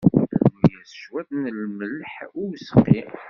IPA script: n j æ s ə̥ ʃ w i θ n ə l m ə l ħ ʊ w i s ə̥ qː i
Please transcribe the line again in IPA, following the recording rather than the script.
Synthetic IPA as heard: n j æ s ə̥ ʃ w æ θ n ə l m ə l ħ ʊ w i s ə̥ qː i